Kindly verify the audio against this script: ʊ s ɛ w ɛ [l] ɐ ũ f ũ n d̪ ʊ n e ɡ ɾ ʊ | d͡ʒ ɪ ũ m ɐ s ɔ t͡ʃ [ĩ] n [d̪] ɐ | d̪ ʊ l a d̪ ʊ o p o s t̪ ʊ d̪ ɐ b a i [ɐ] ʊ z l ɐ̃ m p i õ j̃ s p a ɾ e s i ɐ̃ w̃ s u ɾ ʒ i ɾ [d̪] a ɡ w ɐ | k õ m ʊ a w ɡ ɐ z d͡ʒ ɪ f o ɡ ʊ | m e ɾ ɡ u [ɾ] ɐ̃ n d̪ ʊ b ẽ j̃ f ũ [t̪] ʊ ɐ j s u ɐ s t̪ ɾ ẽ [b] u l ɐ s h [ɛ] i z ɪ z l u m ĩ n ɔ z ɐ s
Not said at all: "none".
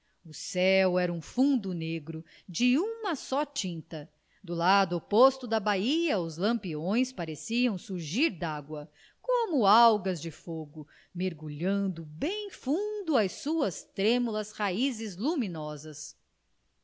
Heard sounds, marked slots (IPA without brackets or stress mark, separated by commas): ɾ, ĩ, t̪, ɐ, d̪, ʎ, d̪, m, a